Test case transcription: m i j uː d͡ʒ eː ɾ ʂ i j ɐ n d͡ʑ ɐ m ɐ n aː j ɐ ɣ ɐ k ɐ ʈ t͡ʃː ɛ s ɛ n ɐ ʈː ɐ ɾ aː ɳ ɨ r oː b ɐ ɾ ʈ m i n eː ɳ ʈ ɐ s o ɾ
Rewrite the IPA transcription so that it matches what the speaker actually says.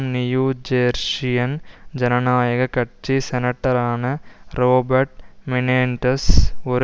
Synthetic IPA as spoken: n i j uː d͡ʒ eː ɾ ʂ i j ɐ n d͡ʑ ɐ n ɐ n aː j ɐ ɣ ɐ k ɐ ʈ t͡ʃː i s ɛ n ɐ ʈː ɐ ɾ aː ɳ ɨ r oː b ɐ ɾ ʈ m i n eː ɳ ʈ ɐ s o ɾ